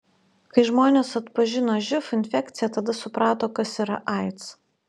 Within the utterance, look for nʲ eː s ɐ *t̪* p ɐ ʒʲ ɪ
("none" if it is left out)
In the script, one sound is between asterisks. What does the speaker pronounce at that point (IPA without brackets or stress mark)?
t̪